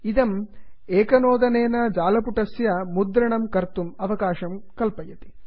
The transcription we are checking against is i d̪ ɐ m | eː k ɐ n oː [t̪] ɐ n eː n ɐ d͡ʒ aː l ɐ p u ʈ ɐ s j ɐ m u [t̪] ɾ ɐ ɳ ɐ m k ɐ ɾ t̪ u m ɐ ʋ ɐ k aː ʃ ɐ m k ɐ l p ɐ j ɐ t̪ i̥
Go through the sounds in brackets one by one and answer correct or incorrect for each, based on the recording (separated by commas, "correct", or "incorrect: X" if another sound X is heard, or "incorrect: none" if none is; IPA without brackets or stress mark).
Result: incorrect: d̪, incorrect: d̪